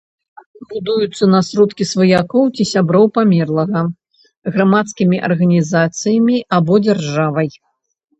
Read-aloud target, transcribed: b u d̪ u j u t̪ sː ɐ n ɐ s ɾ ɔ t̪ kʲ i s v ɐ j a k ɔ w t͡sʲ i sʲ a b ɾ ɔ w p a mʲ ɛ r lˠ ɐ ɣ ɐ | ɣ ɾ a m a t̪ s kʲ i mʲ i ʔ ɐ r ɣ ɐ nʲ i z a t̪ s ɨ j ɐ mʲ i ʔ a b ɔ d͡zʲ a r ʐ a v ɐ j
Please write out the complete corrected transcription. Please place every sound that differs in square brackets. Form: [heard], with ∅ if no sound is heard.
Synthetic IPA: b u d̪ u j u t̪ sː ɐ n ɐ s ɾ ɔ t̪ kʲ i s v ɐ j a k ɔ w t͡sʲ i sʲ a b ɾ ɔ w p a mʲ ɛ r lˠ ɐ ɣ ɐ | ɣ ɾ a m a t̪ s kʲ i mʲ i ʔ ɐ r ɣ ɐ nʲ i z a t̪ s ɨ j ɐ mʲ i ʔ a b ɔ d͡zʲ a r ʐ a v ɐ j

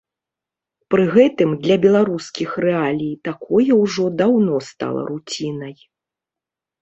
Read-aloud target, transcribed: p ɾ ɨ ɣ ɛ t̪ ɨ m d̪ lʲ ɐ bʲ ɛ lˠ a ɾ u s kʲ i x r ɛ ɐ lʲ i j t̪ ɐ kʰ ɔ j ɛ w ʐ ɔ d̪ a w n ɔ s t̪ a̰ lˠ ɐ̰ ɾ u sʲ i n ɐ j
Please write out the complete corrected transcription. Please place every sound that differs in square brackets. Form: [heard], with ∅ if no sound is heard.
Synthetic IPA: p ɾ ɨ ɣ ɛ t̪ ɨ m d̪ lʲ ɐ bʲ ɛ lˠ a ɾ u s kʲ i x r ɛ [a] lʲ i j t̪ [a] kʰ ɔ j ɛ w ʐ ɔ d̪ a w n ɔ s t̪ a̰ lˠ ɐ̰ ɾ u [t͡sʲ] i n ɐ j

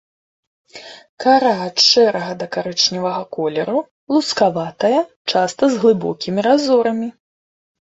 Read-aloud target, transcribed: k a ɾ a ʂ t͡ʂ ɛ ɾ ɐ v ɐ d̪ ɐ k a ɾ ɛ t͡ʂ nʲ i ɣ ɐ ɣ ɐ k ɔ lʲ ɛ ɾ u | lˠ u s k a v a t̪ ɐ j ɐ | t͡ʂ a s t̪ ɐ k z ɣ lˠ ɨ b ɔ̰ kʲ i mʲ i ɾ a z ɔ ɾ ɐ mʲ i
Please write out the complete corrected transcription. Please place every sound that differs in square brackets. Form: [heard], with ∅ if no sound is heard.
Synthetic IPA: k a ɾ a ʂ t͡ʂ ɛ ɾ ɐ [ɣ] ɐ d̪ ɐ k a ɾ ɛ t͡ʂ nʲ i [v] ɐ ɣ ɐ k ɔ lʲ ɛ ɾ u | lˠ u s k a v a t̪ ɐ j ɐ | t͡ʂ a s t̪ ɐ [∅] z ɣ lˠ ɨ b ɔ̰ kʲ i mʲ i ɾ a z ɔ ɾ ɐ mʲ i

